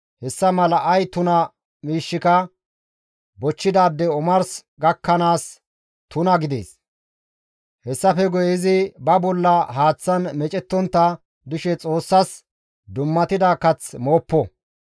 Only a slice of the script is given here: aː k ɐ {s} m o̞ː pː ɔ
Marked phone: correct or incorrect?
incorrect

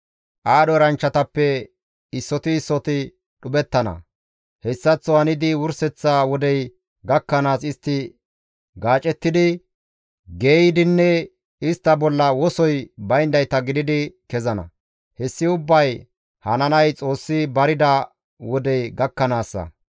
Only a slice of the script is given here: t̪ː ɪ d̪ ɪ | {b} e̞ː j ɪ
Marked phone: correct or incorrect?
incorrect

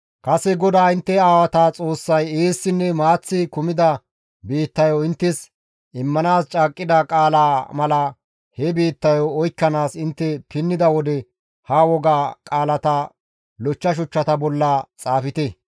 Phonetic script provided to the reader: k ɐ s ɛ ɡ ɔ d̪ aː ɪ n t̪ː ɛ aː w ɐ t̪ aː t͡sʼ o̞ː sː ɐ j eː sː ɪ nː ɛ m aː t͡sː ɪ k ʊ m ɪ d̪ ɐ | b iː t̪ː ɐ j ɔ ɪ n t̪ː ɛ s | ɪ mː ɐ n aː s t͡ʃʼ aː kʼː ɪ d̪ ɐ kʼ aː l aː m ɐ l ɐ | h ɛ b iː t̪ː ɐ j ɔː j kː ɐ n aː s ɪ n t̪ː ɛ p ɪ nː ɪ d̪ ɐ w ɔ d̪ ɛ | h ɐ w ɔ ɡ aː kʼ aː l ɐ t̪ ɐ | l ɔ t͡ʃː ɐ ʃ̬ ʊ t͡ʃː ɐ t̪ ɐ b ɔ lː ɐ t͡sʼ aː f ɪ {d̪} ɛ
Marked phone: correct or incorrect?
incorrect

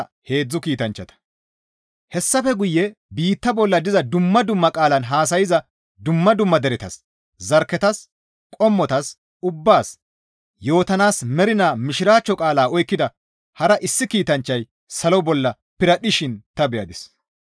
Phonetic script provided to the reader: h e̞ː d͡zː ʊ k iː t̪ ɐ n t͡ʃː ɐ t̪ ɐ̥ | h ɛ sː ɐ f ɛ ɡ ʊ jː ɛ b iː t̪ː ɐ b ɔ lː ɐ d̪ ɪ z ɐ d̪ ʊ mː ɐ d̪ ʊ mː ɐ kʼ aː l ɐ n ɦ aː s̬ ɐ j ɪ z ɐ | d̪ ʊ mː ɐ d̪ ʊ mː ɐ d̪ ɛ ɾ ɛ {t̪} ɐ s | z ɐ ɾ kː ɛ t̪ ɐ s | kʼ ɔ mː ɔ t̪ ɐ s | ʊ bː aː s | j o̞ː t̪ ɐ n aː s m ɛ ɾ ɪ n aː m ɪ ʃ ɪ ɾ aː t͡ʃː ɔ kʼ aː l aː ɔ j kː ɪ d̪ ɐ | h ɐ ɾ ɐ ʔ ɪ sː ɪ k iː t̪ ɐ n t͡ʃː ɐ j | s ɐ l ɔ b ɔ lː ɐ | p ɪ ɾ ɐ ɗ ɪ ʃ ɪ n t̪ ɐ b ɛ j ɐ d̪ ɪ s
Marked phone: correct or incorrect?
correct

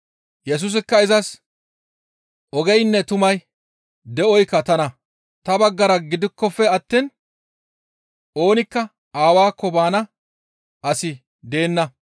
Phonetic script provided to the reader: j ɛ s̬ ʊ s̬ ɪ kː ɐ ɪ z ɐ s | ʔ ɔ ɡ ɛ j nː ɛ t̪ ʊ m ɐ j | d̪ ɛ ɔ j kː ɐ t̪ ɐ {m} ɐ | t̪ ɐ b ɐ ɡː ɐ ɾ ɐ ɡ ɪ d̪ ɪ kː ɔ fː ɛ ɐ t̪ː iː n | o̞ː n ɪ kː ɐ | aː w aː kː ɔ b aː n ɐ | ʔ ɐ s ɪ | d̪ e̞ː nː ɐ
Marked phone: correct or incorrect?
incorrect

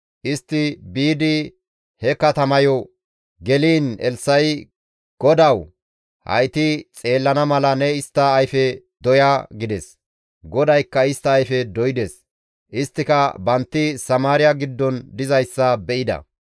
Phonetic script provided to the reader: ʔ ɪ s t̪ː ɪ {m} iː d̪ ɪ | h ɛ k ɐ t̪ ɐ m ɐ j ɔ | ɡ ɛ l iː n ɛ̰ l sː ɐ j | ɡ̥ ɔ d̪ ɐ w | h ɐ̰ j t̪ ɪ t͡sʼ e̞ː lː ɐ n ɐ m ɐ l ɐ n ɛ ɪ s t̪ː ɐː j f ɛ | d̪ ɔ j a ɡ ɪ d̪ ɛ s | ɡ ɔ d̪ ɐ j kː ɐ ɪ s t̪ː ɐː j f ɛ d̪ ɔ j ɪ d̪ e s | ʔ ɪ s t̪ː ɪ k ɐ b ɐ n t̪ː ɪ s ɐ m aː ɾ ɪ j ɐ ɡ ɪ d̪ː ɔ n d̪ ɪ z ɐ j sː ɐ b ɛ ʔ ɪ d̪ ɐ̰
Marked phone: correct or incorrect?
incorrect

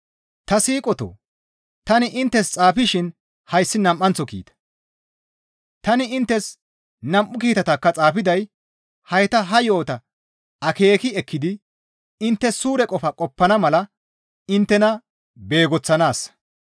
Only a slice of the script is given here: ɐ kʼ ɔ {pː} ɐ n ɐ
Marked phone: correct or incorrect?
correct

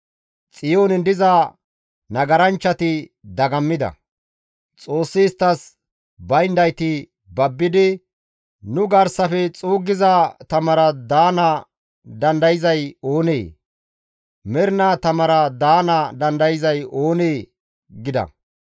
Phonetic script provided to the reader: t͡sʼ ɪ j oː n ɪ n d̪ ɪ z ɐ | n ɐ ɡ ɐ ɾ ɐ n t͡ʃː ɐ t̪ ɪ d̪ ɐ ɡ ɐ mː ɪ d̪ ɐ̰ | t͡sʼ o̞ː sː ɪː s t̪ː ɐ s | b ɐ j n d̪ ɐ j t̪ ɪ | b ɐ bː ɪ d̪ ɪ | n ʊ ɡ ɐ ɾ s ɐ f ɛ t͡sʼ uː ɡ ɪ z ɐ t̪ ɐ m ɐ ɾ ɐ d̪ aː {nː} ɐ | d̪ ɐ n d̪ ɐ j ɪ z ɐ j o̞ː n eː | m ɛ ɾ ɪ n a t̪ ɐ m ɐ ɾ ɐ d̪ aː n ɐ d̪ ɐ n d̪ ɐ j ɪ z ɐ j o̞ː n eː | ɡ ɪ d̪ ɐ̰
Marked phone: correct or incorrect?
incorrect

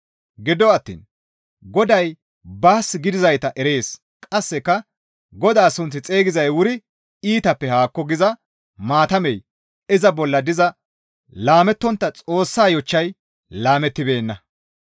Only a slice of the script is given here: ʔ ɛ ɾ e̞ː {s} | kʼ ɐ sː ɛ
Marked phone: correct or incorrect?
correct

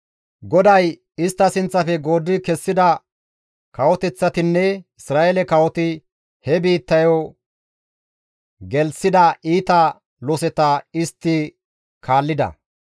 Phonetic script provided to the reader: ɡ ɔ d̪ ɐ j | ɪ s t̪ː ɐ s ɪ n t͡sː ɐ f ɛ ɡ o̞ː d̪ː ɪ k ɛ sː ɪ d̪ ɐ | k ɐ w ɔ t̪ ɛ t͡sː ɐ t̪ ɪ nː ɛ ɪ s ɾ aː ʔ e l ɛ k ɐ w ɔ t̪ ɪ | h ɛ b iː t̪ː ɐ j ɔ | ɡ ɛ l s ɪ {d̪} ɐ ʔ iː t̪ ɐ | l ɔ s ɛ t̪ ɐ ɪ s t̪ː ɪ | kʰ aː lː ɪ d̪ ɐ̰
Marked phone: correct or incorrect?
correct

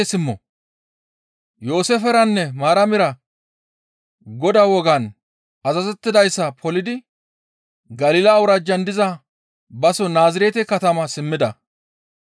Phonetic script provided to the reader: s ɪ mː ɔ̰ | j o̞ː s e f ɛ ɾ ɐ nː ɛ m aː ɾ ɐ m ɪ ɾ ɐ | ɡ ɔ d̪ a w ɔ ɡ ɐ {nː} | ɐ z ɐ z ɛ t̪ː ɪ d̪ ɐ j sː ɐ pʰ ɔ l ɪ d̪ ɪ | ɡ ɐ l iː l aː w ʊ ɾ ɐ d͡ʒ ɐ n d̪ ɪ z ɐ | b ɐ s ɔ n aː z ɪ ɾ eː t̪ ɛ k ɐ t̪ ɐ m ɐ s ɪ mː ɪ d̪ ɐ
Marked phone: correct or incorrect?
incorrect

